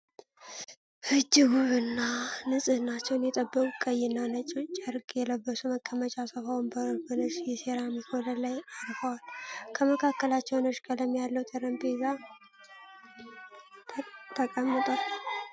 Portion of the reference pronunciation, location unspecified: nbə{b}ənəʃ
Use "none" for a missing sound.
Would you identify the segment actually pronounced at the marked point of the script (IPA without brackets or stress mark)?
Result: b